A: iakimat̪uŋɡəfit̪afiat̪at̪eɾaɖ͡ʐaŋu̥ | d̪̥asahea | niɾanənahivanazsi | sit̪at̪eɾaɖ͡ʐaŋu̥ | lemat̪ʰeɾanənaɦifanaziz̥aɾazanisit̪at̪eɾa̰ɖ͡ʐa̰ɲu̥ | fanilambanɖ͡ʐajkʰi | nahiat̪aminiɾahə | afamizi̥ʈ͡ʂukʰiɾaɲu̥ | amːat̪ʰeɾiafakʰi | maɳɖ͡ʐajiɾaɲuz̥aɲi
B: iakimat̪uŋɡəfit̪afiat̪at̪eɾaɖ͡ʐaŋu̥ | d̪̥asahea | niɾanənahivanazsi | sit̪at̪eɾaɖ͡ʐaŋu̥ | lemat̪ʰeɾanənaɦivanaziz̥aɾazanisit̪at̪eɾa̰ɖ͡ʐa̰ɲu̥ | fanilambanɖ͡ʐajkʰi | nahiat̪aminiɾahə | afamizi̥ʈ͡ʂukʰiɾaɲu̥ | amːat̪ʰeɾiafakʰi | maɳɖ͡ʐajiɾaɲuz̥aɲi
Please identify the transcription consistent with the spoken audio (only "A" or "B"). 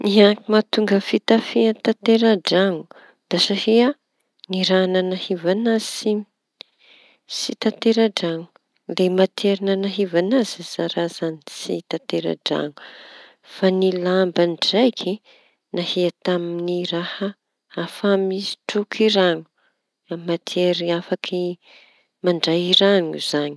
B